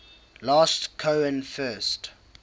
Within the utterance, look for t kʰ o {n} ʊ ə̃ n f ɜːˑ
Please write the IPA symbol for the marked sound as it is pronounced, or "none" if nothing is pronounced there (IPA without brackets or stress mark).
none